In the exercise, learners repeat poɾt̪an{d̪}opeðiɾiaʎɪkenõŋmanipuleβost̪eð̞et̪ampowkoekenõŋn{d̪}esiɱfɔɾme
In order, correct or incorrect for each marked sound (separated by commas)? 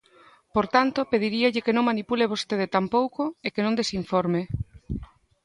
incorrect, correct